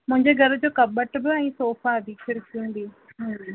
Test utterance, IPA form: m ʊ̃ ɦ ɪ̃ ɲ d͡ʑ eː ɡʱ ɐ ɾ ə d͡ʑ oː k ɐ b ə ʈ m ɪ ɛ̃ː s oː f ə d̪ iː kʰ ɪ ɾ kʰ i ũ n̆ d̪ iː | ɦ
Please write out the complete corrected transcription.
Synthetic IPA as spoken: m ʊ̃ ɦ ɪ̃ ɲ d͡ʑ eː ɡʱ ɐ ɾ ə d͡ʑ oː k ɐ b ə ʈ b ɪ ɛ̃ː s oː f a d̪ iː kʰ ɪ ɾ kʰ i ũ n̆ d̪ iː | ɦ